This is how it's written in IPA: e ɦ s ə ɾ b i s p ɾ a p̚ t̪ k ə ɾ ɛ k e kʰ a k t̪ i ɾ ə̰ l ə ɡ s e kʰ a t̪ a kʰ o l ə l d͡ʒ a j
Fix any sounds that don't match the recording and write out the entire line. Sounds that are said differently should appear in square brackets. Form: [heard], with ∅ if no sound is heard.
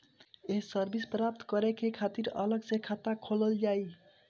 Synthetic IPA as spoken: e ɦ s ə ɾ b i s p ɾ a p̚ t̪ k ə ɾ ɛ k e kʰ a [∅] t̪ i ɾ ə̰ l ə ɡ s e kʰ a t̪ a kʰ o l ə l d͡ʒ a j